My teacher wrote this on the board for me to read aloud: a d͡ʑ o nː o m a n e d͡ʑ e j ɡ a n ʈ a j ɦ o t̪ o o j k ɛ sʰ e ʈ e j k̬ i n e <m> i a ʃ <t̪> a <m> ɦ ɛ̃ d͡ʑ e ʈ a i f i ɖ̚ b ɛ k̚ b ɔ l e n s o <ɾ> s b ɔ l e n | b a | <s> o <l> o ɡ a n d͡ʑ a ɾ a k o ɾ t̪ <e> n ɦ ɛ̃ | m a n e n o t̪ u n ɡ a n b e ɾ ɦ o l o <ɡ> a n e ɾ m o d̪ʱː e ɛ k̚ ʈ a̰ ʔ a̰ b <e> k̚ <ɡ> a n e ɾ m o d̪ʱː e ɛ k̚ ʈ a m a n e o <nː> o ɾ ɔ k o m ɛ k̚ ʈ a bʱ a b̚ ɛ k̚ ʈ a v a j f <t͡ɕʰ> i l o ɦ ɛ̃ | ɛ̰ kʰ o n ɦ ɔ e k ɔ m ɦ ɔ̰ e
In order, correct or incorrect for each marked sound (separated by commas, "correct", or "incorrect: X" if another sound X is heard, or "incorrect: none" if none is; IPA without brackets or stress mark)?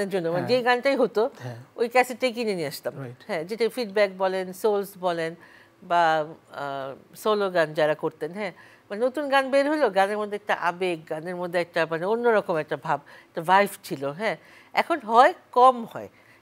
incorrect: n, correct, correct, incorrect: l, correct, correct, correct, correct, correct, correct, correct, correct